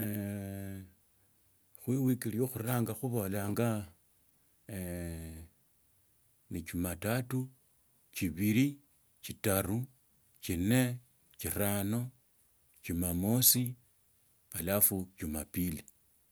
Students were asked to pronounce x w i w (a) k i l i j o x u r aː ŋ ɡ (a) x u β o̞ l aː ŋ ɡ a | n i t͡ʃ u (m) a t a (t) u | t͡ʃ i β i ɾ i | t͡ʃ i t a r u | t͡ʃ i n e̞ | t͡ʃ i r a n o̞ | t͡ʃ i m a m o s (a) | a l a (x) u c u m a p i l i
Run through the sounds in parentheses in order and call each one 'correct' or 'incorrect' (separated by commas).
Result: incorrect, correct, correct, correct, incorrect, incorrect